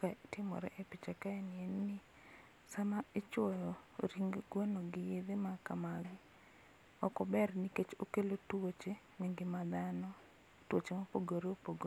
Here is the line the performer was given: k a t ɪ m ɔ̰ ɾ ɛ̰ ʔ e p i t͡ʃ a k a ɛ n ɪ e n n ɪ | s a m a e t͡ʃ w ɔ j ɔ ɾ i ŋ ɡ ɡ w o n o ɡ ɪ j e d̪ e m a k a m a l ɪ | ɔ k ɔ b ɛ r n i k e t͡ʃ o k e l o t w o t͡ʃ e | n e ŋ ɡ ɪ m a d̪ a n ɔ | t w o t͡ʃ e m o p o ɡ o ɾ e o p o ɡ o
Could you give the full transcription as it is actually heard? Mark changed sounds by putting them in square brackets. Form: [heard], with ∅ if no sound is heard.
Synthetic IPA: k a t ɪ m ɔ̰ ɾ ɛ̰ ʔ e p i t͡ʃ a k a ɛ n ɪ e n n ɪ | s a m a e t͡ʃ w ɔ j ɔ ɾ i ŋ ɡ ɡ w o n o ɡ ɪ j e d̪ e m a k a m a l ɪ | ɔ k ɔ b ɛ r n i k e t͡ʃ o k e l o t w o t͡ʃ e | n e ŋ ɡ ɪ m a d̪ a n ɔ | t w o t͡ʃ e m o p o ɡ o ɾ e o p o ɡ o